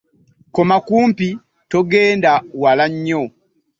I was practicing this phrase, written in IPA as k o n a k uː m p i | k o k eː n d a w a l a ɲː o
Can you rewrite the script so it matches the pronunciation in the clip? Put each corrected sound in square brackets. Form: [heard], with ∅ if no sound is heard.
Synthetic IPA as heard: k o [m] a k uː m p i | [t] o [ɡ] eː n d a w a l a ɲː o